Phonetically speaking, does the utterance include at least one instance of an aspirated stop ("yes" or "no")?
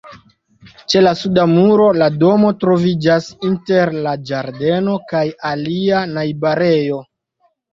no